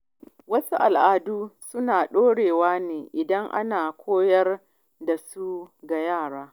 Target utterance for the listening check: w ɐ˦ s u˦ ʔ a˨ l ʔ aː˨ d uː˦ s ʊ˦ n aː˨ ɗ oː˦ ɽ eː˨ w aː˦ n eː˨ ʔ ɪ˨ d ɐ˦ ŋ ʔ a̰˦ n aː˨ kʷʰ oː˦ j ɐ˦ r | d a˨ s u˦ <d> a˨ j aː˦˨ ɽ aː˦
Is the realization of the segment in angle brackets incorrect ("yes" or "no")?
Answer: yes